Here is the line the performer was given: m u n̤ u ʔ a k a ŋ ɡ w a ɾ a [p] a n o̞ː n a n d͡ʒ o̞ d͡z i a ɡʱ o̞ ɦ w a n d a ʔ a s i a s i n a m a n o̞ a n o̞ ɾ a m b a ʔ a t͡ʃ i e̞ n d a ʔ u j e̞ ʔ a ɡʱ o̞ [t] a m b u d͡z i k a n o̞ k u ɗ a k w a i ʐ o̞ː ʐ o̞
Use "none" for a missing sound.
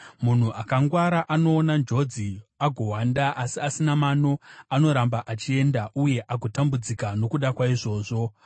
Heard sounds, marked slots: ʔ, t

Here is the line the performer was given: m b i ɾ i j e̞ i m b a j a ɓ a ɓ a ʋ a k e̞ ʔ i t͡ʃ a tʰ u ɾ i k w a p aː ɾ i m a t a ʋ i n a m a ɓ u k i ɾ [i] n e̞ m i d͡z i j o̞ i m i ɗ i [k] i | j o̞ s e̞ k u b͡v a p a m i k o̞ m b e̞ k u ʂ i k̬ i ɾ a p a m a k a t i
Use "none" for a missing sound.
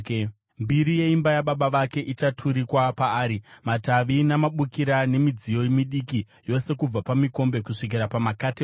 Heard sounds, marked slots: a, k

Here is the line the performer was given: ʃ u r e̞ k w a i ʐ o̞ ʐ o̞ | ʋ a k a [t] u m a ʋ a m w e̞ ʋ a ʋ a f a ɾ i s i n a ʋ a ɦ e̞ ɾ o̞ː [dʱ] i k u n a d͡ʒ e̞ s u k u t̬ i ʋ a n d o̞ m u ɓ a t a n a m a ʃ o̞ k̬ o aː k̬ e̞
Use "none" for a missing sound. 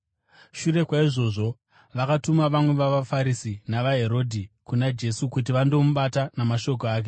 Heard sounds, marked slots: t, dʱ

